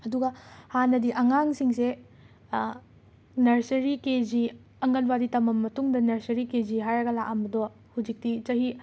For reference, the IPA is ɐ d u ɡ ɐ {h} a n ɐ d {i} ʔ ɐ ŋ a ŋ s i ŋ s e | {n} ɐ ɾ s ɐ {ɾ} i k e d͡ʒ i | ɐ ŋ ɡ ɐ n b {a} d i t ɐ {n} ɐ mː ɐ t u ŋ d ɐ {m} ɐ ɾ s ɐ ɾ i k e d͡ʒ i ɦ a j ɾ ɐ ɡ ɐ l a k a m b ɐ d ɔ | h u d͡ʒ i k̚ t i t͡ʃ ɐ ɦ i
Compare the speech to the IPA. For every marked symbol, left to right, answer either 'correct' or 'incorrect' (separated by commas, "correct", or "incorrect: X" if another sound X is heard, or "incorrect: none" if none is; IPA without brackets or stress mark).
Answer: correct, correct, correct, correct, correct, incorrect: m, incorrect: n